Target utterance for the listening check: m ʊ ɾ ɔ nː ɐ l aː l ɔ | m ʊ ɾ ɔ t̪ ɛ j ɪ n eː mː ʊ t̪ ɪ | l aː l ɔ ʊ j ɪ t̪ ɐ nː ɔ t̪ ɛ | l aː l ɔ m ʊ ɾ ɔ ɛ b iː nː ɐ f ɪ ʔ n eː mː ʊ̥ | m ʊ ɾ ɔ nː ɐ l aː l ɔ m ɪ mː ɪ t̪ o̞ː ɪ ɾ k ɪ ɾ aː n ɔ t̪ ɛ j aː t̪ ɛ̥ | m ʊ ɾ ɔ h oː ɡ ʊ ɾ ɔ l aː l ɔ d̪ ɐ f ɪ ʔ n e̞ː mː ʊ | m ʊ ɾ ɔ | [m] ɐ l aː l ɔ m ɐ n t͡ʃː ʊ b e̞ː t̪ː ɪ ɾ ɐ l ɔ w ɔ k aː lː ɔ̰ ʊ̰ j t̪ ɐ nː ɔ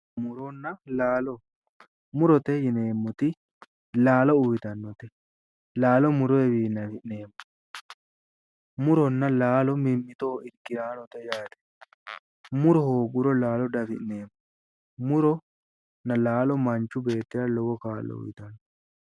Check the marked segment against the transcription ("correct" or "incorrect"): incorrect